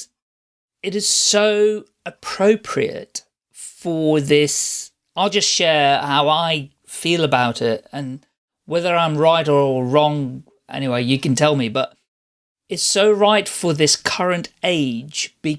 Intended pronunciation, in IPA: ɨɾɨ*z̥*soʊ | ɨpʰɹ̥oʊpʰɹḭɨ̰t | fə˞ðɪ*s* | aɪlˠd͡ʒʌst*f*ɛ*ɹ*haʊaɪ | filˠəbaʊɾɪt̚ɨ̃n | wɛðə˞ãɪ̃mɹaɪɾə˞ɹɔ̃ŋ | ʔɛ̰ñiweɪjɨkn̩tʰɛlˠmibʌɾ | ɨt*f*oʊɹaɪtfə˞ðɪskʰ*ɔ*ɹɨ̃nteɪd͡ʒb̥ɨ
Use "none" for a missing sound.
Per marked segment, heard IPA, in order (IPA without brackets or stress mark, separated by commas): z̥, s, ʃ, ɹ, s, ʌ